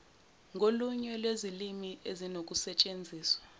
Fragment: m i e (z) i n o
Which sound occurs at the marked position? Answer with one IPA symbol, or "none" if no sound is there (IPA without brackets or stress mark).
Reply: z